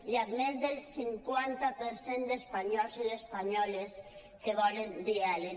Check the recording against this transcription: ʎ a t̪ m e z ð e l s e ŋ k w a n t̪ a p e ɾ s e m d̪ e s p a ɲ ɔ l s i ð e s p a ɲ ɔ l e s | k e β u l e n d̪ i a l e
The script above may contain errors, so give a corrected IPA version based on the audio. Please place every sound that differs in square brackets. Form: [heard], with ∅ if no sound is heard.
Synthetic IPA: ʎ a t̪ m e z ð e l s [i] ŋ k w a n t̪ a p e ɾ s e [n] d̪ e s p a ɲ ɔ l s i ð e s p a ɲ ɔ l e s | k e β [ɔ] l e n d̪ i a l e